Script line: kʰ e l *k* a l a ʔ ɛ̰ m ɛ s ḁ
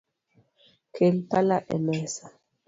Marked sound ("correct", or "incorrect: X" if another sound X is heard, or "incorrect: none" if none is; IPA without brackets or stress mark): incorrect: p